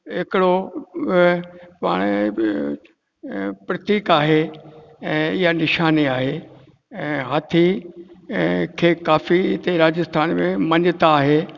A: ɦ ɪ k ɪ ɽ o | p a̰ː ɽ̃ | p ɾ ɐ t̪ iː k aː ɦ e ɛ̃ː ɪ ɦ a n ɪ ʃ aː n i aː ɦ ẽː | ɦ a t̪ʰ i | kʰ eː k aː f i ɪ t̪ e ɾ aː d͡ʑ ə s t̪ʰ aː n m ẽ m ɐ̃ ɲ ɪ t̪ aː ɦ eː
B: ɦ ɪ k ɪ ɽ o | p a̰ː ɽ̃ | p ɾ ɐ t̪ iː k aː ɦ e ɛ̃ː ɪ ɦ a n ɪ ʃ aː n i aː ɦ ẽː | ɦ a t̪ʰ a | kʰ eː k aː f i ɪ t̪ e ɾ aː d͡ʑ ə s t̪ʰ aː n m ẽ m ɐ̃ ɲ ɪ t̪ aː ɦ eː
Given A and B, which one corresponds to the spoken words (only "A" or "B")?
A